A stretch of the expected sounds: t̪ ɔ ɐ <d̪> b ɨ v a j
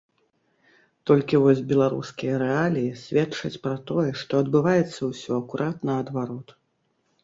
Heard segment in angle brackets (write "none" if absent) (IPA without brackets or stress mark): d̪